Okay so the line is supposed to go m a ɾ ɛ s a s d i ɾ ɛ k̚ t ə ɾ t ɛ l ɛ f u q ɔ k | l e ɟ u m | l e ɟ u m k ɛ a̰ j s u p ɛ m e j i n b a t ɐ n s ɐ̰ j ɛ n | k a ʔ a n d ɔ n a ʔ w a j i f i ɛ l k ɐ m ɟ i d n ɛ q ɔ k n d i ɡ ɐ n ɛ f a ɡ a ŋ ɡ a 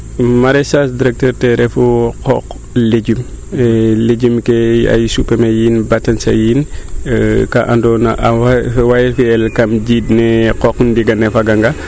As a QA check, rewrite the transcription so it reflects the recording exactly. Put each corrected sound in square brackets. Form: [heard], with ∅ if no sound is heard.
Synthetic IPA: m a ɾ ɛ s a s d i ɾ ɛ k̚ t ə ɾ t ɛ [ɾ] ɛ f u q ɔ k | l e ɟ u m | l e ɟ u m k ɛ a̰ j s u p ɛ m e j i n b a t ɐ n s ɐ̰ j [i] n | k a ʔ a n d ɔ n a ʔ w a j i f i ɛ l k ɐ m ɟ i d n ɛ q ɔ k n d i ɡ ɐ n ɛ f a ɡ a ŋ ɡ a

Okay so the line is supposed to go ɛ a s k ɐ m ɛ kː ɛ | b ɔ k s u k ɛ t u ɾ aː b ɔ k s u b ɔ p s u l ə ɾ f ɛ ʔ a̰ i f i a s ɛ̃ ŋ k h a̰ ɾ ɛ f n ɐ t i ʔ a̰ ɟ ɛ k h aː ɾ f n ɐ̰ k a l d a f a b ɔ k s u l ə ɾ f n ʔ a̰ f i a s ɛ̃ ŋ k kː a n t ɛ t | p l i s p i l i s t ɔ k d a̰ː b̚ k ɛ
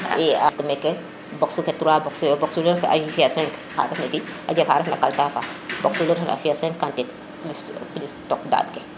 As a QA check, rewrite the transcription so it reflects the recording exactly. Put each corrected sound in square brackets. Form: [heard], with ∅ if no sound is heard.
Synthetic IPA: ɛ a s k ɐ m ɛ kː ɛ | b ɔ k s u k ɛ t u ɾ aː b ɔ k s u b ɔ [k] s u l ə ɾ f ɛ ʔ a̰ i f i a s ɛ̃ ŋ k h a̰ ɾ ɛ f n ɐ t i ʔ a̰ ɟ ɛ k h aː ɾ f n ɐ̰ k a l [t] a f a b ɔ k s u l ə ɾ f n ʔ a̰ f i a s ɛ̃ ŋ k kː a n t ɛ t | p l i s p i l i s t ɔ k d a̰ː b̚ k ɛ

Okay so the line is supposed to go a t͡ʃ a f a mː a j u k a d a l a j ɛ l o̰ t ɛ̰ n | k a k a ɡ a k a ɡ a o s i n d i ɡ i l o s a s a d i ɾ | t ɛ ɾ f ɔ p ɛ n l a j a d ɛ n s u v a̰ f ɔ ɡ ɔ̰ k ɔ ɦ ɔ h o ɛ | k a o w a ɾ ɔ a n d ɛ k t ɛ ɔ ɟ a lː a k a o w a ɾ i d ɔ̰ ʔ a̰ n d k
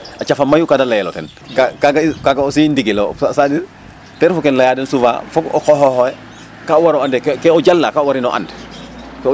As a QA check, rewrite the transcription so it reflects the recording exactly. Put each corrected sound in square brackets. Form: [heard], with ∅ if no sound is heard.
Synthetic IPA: a t͡ʃ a f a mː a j u k a d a l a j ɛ l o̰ t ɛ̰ n | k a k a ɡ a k a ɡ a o s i n d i ɡ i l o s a s a d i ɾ | t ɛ ɾ f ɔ [k] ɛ n l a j a d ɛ n s u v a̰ f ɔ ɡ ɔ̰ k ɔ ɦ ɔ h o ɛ | k a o w a ɾ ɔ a n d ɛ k [k] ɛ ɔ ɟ a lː a k a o w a ɾ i [n] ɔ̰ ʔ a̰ n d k

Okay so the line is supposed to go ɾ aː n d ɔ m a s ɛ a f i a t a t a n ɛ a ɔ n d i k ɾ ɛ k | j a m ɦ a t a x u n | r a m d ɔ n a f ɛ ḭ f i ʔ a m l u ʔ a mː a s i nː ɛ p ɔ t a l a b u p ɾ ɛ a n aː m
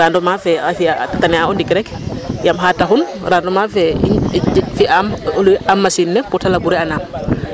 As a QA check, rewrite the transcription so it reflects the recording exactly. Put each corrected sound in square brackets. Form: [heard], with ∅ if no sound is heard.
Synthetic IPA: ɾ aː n d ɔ m a [f] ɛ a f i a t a t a n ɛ a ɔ n d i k ɾ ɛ k | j a m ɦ a t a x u n | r a [n] d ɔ [m] a f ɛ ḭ f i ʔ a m l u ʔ a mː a s i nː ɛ p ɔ t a l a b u [∅] ɾ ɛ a n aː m

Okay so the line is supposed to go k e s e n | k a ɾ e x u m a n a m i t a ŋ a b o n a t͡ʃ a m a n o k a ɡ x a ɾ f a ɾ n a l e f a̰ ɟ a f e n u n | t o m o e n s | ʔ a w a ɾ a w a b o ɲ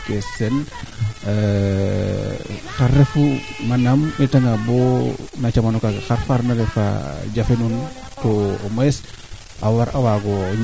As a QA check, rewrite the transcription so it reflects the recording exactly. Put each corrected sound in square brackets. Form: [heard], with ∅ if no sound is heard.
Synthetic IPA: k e s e n | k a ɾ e [f] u m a n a m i t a ŋ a b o n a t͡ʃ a m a n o k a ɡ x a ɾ f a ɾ n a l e f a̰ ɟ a f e n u n | t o m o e [∅] s | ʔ a w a ɾ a w a [ɡ] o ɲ

